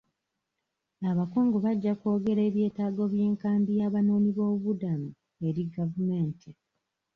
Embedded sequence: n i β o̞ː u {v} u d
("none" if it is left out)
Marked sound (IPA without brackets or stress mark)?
β